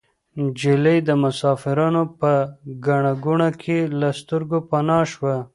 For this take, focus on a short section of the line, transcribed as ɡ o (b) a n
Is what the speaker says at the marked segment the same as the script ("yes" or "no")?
no